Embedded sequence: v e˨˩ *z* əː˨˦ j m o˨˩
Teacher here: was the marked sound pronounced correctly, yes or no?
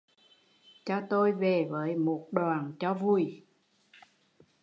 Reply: no